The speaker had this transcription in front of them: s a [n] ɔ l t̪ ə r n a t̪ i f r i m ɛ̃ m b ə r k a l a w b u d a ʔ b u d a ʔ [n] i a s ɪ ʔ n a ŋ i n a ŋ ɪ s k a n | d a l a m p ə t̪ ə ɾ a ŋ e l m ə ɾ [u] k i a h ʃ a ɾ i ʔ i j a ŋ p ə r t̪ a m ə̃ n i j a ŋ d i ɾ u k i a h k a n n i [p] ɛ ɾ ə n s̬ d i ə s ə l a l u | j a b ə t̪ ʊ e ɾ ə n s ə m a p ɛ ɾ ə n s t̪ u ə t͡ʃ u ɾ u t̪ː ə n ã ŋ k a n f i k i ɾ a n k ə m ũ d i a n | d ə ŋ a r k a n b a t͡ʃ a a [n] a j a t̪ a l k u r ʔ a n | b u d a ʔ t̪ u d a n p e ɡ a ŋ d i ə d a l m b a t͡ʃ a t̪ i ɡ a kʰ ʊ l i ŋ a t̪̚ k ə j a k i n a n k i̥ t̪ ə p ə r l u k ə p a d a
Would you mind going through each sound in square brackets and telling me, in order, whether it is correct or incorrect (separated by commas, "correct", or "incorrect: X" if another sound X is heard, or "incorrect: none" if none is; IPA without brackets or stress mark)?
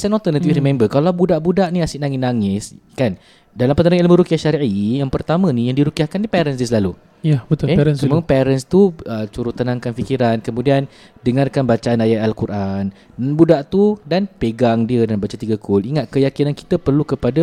correct, correct, correct, correct, correct